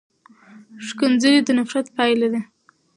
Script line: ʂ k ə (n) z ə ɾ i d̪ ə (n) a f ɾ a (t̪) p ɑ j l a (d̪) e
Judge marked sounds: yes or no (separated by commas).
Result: yes, yes, yes, yes